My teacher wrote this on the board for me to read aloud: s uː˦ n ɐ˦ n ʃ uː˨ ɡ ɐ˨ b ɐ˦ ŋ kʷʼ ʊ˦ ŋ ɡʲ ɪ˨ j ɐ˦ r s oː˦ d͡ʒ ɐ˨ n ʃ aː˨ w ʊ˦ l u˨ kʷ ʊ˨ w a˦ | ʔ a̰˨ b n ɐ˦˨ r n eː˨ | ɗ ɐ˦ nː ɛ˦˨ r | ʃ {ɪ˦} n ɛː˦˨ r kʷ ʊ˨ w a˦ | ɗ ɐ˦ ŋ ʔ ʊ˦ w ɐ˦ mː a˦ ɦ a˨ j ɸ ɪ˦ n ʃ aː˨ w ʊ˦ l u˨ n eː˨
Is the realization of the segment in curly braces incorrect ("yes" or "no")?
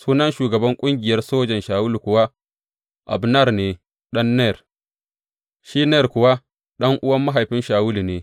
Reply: yes